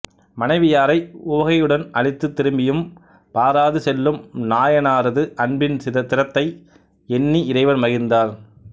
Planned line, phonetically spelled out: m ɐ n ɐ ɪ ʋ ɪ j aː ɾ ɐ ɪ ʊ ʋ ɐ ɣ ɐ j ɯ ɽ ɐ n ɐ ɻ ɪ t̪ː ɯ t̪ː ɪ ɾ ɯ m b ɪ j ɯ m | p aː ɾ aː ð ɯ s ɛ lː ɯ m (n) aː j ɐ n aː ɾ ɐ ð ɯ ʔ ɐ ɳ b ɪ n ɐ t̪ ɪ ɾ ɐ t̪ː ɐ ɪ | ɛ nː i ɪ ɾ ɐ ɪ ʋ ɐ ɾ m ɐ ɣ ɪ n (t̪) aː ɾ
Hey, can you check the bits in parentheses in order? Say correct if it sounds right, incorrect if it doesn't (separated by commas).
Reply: correct, incorrect